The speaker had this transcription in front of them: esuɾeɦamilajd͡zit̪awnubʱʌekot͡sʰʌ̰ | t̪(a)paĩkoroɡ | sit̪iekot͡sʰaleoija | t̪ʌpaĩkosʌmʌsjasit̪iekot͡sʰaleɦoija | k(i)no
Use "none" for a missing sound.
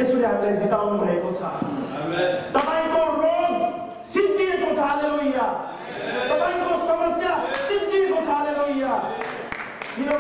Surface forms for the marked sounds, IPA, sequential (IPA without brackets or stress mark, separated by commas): ʌ, i